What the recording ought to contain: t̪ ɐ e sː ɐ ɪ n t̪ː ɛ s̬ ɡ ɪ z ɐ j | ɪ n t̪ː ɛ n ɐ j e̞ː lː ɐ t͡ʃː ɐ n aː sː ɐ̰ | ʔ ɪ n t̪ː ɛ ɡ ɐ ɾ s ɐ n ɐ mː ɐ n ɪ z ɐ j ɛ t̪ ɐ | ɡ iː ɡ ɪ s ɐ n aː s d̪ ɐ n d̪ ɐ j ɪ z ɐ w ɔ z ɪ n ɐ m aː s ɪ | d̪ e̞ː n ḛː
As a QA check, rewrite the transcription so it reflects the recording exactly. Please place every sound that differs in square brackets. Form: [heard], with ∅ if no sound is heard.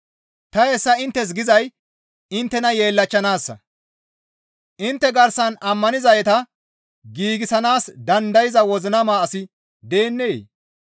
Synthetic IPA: t̪ ɐ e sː ɐ ɪ n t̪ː ɛ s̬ ɡ ɪ z ɐ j | ɪ n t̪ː ɛ n ɐ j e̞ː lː ɐ t͡ʃː ɐ n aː sː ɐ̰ | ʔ ɪ n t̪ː ɛ ɡ ɐ ɾ s ɐ n ɐ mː ɐ n ɪ z ɐ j ɛ t̪ ɐ | ɡ iː ɡ ɪ s ɐ n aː s d̪ ɐ n d̪ ɐ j ɪ z ɐ w ɔ z ɪ n ɐ m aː s ɪ | d̪ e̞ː [nː] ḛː